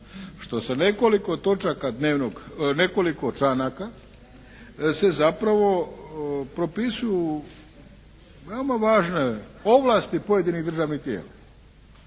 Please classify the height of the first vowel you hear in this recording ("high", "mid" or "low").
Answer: mid